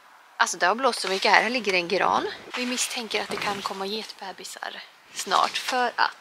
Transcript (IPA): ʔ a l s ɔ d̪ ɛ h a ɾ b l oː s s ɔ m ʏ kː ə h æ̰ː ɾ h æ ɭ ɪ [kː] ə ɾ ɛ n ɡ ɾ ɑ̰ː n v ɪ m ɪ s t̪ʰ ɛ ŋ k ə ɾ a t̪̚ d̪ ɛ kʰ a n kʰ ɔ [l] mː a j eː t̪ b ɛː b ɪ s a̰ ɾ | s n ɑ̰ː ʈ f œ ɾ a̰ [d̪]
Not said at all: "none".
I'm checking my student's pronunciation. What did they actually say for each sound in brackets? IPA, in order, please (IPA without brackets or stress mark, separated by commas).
ɡː, none, t̪